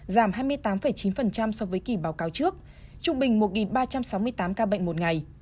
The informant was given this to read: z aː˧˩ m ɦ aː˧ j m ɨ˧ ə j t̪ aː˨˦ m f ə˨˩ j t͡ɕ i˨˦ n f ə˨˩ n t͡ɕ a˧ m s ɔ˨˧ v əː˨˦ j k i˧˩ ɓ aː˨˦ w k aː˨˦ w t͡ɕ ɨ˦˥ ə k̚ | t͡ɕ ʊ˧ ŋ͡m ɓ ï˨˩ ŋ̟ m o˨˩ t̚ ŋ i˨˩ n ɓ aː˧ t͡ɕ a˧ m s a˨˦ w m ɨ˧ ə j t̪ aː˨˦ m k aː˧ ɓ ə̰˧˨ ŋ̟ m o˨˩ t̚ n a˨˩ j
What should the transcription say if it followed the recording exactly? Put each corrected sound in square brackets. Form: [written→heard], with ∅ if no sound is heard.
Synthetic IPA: z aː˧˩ m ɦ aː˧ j m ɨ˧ ə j t̪ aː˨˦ m f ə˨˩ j t͡ɕ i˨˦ n f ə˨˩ n t͡ɕ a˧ m s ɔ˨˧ v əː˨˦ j k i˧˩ ɓ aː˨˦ w k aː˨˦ w t͡ɕ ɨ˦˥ ə k̚ | t͡ɕ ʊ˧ ŋ͡m ɓ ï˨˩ ŋ̟ m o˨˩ t̚ ŋ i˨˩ n ɓ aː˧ t͡ɕ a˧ m s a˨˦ w m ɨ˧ ə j t̪ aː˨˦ m k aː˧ ɓ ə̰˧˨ ŋ̟ m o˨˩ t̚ [n→ŋ] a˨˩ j

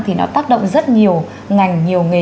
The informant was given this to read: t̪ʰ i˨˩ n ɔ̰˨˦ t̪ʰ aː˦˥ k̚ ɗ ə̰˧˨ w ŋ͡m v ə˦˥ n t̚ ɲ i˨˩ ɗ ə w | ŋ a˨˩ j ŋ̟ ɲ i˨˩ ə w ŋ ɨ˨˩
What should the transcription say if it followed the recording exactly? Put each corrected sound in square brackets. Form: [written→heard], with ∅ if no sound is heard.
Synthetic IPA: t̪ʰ i˨˩ n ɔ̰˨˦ [t̪ʰ→t̪] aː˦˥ k̚ ɗ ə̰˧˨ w ŋ͡m [v→z] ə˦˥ [n→∅] t̚ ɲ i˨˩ [ɗ→∅] ə w | ŋ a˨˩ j ŋ̟ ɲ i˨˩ ə w ŋ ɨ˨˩

